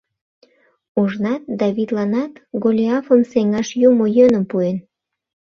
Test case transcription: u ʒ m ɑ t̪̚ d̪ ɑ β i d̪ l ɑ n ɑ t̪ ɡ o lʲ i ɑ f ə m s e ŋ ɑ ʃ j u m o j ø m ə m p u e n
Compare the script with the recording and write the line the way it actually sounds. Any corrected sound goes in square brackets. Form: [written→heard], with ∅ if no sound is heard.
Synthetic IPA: u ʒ [m→n] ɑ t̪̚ d̪ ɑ β i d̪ l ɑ n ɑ t̪ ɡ o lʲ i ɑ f ə m s e ŋ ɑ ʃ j u m o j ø [m→n] ə m p u e n